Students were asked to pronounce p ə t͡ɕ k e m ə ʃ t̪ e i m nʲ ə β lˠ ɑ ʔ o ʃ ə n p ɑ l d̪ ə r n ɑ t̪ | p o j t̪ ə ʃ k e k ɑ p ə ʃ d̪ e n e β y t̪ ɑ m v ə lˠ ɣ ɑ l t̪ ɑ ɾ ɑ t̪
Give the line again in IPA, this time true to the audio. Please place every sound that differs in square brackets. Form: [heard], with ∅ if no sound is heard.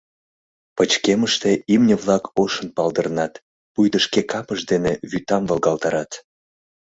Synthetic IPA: p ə t͡ɕ k e m ə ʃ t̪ e i m nʲ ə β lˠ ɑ [k] o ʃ ə n p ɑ l d̪ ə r n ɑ t̪ | p [u] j [d̪] ə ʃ k e k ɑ p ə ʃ d̪ e n e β y t̪ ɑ m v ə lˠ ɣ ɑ l t̪ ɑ ɾ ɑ t̪